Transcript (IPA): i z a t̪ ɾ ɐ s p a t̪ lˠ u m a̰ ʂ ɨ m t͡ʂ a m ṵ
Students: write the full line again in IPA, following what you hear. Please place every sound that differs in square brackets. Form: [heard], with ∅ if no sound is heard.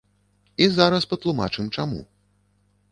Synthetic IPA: i z a [∅] ɾ ɐ s p [ɐ] t̪ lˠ u m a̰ [t͡ʂ] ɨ m t͡ʂ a m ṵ